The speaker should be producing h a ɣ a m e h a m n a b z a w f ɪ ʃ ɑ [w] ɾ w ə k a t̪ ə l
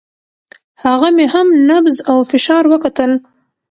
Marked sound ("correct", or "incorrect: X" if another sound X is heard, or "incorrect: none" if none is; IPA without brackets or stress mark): incorrect: none